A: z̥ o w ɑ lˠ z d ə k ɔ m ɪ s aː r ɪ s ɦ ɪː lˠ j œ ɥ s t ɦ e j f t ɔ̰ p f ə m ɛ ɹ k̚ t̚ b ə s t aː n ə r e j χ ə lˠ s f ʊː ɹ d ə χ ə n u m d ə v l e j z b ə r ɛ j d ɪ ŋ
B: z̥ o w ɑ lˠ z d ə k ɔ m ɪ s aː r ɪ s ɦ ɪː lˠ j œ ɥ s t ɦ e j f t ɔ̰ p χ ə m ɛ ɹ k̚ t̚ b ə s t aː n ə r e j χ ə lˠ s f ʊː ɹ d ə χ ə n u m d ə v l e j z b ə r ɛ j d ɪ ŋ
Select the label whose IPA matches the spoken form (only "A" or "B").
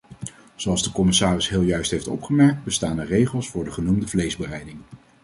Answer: B